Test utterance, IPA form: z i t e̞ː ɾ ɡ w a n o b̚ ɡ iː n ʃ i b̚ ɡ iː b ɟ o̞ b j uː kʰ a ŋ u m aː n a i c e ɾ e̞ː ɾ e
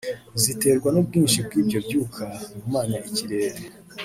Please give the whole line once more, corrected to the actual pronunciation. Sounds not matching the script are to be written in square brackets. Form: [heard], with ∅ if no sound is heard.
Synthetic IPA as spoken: z i t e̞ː ɾ ɡ w a n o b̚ ɡ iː n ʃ i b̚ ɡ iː b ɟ o̞ b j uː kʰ a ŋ u m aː n a i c [i] ɾ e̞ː ɾ e